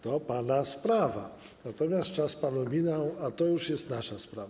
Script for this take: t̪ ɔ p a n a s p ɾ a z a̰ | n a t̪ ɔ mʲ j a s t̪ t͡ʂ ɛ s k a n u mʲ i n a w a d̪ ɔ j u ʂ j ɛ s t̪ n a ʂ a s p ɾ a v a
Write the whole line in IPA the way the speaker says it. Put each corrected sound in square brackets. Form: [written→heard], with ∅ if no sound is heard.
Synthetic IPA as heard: t̪ ɔ p a n a s p ɾ a [z→v] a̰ | n a t̪ ɔ mʲ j a s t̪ t͡ʂ [ɛ→a] s [k→p] a n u mʲ i n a w a [d̪→t̪] ɔ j u ʂ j ɛ s t̪ n a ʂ a s p ɾ a v a